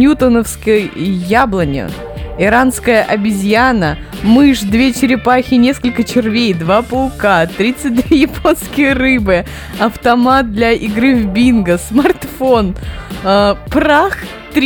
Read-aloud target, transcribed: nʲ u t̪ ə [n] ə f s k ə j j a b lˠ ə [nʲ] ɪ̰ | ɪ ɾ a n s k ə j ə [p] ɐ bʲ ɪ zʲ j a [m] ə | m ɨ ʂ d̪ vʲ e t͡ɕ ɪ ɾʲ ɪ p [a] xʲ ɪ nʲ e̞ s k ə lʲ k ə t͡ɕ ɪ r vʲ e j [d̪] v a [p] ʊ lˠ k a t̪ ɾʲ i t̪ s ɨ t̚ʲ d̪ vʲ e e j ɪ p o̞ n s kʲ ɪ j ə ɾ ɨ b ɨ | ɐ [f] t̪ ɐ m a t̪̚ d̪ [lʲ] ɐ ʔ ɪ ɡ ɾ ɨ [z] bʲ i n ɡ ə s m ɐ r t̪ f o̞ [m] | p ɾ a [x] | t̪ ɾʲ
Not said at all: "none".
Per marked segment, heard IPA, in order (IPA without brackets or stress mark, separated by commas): n, nʲ, ʔ, n, a, d̪, p, f, lʲ, v, n, x